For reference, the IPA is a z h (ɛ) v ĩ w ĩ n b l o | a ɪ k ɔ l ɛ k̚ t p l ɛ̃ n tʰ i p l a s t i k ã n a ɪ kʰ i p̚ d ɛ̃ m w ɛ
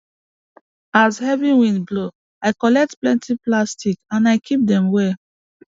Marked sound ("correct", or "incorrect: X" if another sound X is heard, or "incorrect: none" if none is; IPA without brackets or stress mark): correct